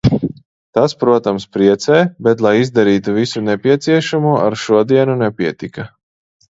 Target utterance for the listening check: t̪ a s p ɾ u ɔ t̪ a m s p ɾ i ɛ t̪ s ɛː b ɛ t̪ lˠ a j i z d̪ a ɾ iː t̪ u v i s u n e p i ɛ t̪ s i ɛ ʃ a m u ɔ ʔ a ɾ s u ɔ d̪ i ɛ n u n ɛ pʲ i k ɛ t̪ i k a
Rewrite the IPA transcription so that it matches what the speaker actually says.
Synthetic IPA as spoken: t̪ a s p ɾ u ɔ t̪ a m s p ɾ i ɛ t̪ s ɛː b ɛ t̪ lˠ a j i z d̪ a ɾ iː t̪ u v i s u n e p i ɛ t̪ s i ɛ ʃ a m u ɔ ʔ a ɾ ʃ u ɔ d̪ i ɛ n u n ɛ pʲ i ɛ t̪ i k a